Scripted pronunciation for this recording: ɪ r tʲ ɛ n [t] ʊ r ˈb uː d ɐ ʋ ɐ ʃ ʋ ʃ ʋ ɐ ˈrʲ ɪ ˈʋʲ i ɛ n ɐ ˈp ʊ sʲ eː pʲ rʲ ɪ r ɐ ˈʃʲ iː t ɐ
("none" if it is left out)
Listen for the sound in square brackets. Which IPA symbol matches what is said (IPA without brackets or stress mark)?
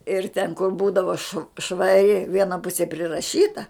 k